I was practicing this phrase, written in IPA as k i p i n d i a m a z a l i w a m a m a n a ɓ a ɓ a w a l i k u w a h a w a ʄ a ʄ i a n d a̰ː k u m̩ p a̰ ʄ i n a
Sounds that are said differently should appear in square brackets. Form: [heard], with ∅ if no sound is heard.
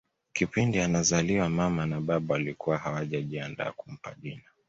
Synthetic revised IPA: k i p i n d i a [n] a z a l i w a m a m a n a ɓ a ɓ a w a l i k u w a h a w a ʄ a ʄ i a n d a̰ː k u m̩ p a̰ ʄ i n a